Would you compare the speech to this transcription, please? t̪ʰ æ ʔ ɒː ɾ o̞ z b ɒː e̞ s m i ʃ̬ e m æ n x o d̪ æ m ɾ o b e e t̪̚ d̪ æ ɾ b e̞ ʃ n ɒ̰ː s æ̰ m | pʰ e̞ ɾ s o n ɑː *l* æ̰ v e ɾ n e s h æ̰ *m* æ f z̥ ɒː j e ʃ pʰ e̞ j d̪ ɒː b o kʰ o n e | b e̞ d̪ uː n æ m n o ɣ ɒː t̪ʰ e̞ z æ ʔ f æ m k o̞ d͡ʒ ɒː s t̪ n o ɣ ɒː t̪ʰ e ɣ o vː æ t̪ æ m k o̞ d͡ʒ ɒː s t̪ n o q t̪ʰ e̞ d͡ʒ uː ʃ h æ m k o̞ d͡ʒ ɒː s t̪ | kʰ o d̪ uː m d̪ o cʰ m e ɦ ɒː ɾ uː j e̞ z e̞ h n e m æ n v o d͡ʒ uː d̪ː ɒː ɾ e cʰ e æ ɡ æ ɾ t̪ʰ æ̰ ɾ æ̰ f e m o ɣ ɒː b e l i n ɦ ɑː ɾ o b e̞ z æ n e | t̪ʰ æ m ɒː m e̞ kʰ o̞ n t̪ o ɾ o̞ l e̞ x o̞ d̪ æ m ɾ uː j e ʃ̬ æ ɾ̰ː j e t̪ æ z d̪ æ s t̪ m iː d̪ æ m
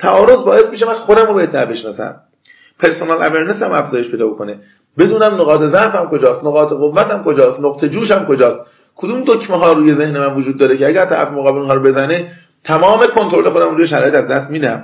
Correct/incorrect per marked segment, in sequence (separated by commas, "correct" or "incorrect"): correct, correct